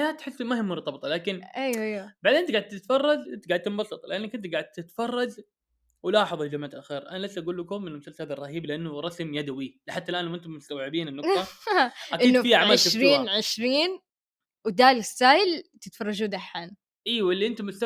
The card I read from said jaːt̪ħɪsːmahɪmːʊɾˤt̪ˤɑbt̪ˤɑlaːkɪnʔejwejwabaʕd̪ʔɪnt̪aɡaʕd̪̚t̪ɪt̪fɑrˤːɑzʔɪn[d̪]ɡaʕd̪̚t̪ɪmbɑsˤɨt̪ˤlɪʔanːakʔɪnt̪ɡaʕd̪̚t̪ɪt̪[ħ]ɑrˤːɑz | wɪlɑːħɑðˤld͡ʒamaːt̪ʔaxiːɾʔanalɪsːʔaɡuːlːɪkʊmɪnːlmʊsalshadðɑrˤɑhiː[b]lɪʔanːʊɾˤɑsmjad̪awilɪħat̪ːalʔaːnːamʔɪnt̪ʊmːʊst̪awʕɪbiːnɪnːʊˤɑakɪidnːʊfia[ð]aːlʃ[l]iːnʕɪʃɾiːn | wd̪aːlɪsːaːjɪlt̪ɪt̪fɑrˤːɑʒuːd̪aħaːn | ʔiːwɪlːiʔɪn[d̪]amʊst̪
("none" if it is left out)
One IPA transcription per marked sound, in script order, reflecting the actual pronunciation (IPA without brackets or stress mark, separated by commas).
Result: t̪, f, b, ʕ, ɾ, t̪